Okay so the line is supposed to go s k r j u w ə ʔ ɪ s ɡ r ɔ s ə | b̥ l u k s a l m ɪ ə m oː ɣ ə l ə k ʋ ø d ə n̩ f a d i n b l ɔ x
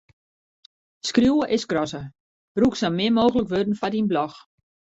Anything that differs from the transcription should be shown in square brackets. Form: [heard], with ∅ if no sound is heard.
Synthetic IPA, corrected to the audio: s k r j u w ə ʔ ɪ s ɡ r ɔ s ə | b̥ [r] u k s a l m ɪ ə m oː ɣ ə l ə k ʋ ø d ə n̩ f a d i n b l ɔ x